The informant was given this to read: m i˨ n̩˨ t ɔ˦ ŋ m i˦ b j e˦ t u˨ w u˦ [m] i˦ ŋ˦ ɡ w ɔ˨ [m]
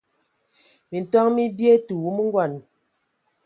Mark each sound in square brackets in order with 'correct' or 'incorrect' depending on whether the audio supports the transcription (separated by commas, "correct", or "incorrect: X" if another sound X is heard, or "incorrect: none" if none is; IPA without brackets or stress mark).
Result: correct, incorrect: n